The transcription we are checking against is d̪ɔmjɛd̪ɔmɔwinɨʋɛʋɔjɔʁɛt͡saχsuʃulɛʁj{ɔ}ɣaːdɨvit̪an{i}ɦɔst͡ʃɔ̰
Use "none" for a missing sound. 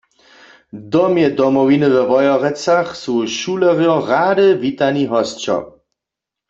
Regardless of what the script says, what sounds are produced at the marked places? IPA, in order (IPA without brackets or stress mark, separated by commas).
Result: ɔ, i